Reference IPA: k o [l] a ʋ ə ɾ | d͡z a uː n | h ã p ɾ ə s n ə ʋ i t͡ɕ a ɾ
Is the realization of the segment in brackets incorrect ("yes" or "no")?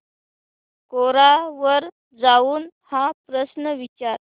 yes